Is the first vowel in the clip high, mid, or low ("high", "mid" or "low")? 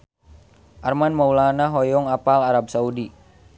low